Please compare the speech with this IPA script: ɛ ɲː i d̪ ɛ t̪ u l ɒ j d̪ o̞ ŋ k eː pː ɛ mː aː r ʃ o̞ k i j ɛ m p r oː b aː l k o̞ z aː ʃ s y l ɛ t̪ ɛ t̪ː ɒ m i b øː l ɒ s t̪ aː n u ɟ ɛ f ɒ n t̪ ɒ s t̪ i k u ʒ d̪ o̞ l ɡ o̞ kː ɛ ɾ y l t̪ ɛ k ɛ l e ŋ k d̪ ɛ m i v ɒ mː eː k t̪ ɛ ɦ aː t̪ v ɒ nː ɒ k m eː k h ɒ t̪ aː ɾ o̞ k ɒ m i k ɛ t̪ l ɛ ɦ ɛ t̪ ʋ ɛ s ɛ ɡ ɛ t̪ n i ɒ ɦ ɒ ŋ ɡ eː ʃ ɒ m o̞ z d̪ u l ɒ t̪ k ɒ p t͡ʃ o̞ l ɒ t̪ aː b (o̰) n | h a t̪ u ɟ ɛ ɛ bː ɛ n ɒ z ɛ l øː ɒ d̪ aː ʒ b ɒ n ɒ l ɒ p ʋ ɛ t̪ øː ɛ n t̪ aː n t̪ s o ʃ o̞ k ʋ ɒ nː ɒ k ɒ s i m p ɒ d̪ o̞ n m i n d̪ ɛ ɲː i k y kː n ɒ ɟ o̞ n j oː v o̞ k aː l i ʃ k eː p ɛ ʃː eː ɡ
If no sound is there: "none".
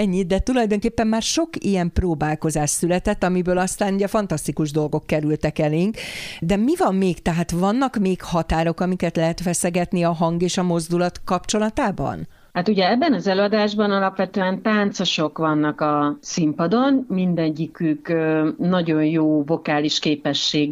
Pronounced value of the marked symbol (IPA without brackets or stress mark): ɒ̰